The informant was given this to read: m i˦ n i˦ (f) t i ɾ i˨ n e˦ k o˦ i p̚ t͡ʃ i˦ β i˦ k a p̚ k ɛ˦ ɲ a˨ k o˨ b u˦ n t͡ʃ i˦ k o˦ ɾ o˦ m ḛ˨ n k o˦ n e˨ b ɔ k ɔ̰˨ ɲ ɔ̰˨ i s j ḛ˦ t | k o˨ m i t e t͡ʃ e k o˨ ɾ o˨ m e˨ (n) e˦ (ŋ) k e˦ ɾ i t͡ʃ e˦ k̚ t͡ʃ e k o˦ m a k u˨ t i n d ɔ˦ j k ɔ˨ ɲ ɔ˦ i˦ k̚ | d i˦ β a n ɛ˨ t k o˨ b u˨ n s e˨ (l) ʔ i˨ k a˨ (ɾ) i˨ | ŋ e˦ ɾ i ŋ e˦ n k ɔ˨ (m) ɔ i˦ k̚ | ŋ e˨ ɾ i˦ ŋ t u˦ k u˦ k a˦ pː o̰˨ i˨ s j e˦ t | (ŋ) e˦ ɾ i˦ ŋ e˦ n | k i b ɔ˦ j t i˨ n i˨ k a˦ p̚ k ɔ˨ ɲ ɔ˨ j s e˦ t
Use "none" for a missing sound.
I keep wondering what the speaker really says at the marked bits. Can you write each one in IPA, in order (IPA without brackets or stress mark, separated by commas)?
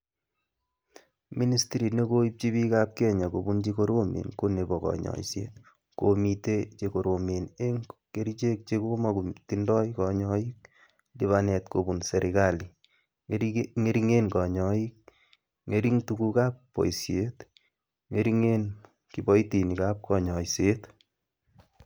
s, n, ŋ, ɾ, l, ɲ, ŋ